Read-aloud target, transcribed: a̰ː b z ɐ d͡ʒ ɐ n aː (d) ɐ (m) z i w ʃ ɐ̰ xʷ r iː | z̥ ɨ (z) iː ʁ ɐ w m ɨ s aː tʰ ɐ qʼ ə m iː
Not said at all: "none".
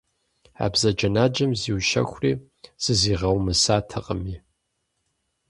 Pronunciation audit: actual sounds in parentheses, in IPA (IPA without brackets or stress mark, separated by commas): d͡ʒ, m, z